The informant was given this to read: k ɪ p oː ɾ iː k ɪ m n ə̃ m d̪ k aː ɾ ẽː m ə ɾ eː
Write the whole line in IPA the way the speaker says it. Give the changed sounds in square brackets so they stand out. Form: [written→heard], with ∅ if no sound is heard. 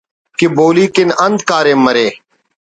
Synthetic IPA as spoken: k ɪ [p→b] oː [ɾ→l] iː k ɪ [m→∅] n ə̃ [m→n] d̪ k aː ɾ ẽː m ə ɾ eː